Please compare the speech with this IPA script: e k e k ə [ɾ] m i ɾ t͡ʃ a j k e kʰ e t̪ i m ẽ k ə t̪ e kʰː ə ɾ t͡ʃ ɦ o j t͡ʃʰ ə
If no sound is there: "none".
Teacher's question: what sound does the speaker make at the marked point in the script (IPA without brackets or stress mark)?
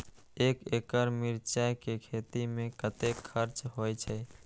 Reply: ɾ